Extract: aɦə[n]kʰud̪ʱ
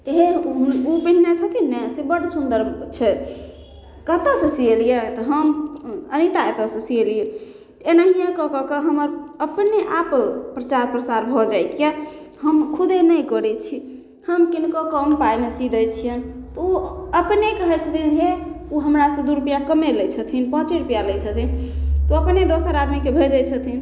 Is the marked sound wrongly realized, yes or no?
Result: yes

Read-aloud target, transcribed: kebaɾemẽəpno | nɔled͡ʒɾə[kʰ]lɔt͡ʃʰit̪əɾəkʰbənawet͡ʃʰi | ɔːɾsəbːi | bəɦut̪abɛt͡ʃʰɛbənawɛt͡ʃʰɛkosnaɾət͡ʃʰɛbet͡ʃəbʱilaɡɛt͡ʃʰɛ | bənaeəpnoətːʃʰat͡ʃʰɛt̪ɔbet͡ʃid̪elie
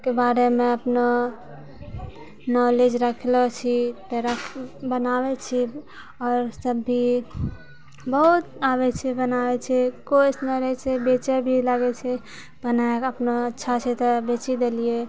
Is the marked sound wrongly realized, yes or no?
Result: no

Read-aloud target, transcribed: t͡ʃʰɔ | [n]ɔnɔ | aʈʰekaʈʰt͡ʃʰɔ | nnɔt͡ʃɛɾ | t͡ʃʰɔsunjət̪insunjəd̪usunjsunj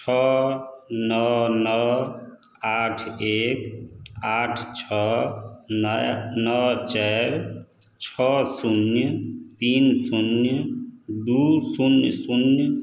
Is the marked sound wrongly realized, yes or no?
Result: no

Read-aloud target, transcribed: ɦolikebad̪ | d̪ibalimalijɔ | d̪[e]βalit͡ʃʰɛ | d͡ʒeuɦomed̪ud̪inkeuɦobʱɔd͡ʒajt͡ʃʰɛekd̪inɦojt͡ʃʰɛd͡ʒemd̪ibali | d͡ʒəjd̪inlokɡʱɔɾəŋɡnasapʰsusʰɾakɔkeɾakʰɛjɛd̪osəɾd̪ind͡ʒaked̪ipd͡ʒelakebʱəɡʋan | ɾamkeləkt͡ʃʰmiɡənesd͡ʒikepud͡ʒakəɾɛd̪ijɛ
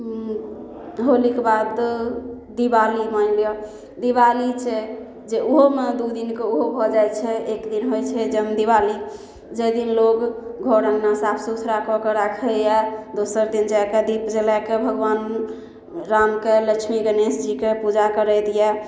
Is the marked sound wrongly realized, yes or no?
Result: yes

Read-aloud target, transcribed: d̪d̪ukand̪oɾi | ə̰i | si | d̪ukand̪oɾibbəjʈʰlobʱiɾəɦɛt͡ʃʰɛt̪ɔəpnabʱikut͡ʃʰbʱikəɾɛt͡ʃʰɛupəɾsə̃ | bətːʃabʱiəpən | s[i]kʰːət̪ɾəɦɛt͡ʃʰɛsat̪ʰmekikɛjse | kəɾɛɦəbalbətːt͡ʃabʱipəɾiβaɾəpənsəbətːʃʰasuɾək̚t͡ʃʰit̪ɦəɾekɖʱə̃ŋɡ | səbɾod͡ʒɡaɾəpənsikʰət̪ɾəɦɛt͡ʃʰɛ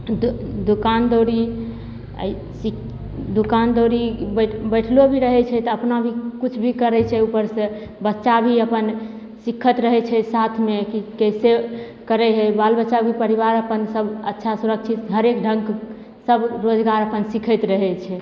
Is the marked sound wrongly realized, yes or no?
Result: no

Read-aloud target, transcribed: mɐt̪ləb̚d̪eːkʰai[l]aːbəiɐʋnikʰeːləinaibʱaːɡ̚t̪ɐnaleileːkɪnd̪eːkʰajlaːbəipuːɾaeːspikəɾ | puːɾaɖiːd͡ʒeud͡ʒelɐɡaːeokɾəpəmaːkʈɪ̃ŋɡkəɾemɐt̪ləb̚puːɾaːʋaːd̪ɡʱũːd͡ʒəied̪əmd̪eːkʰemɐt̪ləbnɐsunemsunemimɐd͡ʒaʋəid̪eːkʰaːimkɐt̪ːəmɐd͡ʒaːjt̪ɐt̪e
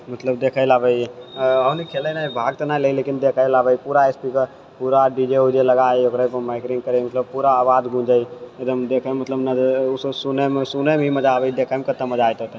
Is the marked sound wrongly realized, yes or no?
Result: no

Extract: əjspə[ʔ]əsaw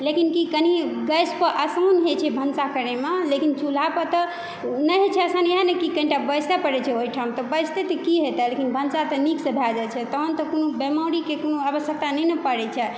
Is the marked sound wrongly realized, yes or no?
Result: no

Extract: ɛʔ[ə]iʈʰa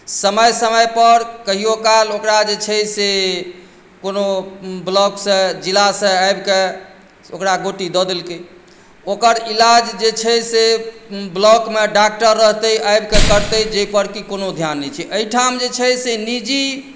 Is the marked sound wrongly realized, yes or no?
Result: no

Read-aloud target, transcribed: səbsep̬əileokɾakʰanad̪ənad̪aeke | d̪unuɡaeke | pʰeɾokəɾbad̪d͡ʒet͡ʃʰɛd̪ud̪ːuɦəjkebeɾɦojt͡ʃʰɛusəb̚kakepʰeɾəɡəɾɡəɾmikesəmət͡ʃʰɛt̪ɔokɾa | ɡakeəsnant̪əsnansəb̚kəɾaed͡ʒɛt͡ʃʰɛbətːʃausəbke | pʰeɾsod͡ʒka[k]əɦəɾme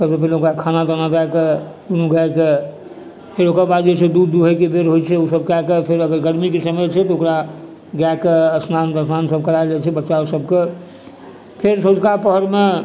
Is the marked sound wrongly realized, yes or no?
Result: yes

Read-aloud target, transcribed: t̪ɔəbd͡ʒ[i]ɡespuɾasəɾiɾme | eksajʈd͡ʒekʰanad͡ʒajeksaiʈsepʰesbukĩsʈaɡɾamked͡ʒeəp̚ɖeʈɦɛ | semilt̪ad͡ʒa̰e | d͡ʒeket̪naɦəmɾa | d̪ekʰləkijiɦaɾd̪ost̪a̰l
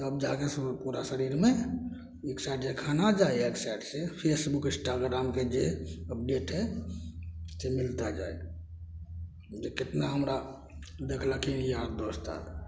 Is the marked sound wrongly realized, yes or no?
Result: yes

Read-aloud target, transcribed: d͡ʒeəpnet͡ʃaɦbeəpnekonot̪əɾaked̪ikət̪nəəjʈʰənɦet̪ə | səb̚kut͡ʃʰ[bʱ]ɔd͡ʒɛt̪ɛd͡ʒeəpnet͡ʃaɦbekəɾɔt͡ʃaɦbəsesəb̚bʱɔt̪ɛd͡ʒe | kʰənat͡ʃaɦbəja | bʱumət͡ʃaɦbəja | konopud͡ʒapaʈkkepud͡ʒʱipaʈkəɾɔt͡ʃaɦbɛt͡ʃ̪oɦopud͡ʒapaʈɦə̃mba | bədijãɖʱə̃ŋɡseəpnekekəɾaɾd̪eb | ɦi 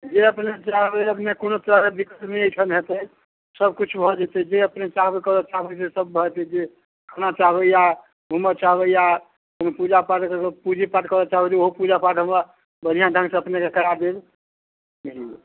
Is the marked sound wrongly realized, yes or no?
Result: no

